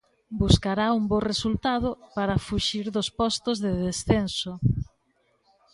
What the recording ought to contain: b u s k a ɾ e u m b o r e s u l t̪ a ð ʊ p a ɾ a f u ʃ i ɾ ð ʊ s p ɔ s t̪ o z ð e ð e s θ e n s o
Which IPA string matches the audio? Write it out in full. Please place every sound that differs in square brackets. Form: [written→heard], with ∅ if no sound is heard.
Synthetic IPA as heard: b u s k a ɾ [e→a] u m b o r e s u l t̪ a ð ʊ p a ɾ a f u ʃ i ɾ ð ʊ s p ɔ s t̪ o z ð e ð e s θ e n s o